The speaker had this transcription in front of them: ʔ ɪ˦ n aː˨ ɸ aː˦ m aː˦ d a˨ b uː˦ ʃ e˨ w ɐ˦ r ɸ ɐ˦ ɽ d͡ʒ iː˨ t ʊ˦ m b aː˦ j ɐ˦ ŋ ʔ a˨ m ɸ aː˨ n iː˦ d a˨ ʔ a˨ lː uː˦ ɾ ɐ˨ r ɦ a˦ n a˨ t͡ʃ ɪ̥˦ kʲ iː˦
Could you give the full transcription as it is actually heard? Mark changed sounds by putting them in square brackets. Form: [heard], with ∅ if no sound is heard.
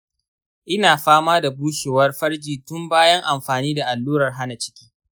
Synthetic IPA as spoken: ʔ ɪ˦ n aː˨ ɸ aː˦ m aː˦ d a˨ b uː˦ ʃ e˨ w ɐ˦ r ɸ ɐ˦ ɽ d͡ʒ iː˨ t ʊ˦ m b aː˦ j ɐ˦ ŋ ʔ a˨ m ɸ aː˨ n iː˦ d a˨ ʔ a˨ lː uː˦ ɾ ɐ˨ r ɦ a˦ n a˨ t͡ʃ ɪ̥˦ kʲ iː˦

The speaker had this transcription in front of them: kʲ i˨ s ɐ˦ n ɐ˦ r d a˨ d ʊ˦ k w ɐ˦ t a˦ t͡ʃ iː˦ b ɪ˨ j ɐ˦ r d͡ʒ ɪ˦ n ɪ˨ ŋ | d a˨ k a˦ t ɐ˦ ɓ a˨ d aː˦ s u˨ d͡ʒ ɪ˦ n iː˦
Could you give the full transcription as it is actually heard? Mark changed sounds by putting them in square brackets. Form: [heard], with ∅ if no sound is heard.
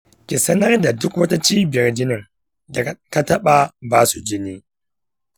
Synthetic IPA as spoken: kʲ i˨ s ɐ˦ n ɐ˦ r d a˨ d ʊ˦ k w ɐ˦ t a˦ t͡ʃ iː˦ b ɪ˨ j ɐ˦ r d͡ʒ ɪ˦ n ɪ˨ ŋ | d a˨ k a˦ t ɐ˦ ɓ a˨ [b] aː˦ s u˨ d͡ʒ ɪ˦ n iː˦

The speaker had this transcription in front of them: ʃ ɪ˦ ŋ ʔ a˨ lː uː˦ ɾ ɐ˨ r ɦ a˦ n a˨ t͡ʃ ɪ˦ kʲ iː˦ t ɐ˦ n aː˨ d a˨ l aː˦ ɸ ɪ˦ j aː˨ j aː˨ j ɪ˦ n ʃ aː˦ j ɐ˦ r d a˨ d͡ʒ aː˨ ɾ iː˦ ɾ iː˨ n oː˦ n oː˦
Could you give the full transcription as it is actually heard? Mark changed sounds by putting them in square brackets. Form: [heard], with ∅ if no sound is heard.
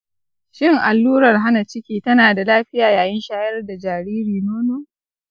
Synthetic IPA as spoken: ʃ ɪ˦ ŋ ʔ a˨ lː uː˦ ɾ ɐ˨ r ɦ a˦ n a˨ t͡ʃ ɪ˦ kʲ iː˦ t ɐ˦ n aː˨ d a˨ l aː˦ ɸ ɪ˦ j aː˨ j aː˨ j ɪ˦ n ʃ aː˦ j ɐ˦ r d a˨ d͡ʒ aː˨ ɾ iː˦ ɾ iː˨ n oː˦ n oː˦

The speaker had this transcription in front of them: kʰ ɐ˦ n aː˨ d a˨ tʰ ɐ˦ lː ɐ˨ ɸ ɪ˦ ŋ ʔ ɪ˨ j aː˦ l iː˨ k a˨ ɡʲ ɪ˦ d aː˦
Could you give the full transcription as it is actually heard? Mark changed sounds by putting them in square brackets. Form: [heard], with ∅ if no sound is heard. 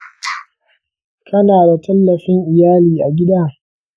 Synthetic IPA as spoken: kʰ ɐ˦ n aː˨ d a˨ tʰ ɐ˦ lː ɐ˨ ɸ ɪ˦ ŋ ʔ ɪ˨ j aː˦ l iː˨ [ʔ] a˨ ɡʲ ɪ˦ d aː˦

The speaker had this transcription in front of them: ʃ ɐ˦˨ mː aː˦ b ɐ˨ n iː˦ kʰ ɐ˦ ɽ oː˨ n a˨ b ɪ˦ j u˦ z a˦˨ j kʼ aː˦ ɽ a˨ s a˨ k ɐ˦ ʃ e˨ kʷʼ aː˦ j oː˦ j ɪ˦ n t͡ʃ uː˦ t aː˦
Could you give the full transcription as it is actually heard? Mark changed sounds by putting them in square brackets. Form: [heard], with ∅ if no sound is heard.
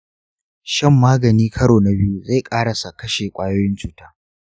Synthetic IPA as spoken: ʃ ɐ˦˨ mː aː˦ [ɡ] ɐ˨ n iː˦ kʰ ɐ˦ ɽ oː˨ n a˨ b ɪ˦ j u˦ z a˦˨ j kʼ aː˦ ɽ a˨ s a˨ k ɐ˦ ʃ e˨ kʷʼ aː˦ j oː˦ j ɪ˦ n t͡ʃ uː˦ t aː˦

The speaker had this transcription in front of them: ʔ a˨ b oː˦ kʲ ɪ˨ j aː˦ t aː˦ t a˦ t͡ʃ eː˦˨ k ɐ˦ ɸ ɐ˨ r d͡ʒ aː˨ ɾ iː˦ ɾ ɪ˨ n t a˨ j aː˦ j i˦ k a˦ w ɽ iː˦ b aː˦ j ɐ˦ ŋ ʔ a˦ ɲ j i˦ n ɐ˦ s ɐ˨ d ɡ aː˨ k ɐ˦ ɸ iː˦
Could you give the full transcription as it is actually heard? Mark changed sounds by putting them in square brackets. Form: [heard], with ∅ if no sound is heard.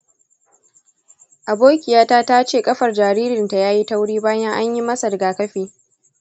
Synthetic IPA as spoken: ʔ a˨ b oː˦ kʲ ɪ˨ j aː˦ t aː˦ t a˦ t͡ʃ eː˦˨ [kʼ] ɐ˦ ɸ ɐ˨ r d͡ʒ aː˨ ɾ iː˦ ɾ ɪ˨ n t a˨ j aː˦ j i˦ [t] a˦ w ɽ iː˦ b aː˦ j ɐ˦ ŋ ʔ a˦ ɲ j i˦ [m] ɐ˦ s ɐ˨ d ɡ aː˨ k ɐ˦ ɸ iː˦

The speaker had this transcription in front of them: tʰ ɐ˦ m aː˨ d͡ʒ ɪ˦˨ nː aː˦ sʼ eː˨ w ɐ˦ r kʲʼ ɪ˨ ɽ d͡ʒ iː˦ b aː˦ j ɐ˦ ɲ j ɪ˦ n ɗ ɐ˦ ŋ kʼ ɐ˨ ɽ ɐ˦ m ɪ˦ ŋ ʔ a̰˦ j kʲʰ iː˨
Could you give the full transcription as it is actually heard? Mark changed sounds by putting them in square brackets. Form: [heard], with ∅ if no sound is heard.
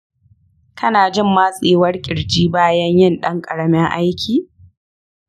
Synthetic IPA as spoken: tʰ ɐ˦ [n] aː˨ d͡ʒ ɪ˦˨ [mː] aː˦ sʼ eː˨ w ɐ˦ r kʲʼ ɪ˨ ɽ d͡ʒ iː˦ b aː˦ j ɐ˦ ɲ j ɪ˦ n ɗ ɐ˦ ŋ kʼ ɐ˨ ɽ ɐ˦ m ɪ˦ ŋ ʔ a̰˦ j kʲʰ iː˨

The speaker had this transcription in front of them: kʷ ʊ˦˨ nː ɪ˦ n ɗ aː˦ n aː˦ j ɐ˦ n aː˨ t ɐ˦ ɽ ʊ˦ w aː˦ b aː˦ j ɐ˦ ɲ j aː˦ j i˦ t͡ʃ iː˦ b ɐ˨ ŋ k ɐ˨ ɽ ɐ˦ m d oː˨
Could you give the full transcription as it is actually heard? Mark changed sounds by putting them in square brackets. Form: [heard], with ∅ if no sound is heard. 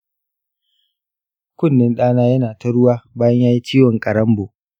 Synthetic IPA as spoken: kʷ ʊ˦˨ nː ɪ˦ n ɗ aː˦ n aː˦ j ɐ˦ n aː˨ t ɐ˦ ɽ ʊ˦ w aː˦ b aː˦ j ɐ˦ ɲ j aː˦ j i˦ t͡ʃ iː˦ [w] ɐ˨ ŋ [kʼ] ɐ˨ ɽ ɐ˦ m [b] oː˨

